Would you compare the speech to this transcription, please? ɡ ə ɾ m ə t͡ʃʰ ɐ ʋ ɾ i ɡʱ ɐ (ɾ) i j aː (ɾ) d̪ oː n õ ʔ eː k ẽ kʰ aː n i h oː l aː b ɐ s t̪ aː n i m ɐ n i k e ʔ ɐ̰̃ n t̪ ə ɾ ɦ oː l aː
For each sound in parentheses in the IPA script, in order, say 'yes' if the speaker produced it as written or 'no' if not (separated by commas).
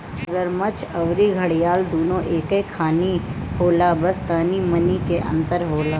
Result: no, no